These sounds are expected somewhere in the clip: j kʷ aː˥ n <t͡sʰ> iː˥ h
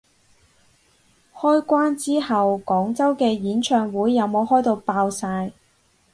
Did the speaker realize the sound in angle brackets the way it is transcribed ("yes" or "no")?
no